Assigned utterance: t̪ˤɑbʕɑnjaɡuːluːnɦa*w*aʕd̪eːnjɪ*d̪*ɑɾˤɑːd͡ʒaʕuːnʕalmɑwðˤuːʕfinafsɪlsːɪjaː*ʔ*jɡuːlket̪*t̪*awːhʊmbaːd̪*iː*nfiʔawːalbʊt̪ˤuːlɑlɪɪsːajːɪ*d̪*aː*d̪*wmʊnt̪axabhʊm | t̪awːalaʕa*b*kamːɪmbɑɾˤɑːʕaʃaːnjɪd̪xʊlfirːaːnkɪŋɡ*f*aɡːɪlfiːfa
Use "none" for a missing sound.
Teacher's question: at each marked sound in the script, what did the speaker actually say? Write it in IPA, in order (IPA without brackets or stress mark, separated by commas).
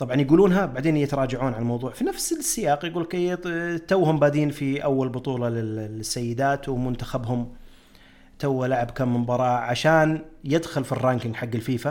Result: b, t̪, q, t̪, iː, d̪, t̪, b, ħ